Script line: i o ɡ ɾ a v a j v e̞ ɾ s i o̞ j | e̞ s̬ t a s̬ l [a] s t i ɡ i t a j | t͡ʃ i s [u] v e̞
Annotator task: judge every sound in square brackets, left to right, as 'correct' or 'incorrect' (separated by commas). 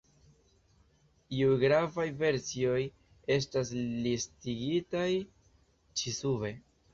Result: incorrect, correct